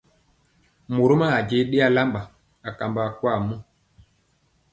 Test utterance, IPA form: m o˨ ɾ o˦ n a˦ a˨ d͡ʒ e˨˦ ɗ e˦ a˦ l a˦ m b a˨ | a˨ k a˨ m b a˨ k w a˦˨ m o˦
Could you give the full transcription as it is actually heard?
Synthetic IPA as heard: m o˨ ɾ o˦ m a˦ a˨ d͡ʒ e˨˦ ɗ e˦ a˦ l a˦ m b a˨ | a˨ k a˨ m b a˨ k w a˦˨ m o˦